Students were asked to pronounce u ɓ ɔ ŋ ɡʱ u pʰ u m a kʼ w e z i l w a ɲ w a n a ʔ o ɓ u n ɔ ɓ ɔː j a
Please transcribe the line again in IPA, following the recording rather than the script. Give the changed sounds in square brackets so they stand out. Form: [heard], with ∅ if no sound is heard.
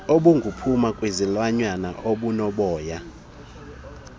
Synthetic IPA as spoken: [o] ɓ [u] ŋ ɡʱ u pʰ u m a kʼ w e z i l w a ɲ w a n a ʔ o ɓ u n ɔ ɓ ɔː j a